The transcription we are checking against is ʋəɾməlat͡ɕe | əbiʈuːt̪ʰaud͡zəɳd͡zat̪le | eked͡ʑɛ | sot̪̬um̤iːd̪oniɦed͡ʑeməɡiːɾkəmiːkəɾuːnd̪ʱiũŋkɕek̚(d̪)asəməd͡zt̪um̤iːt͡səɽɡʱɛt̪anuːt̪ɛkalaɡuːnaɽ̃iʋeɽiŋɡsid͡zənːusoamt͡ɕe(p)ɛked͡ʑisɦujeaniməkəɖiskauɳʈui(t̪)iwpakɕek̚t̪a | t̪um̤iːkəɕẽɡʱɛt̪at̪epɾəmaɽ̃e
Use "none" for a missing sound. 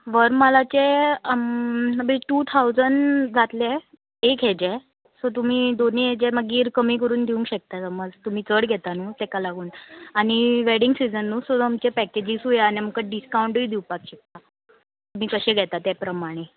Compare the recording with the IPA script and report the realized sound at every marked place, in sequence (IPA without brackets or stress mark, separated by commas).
t̪, p, d̪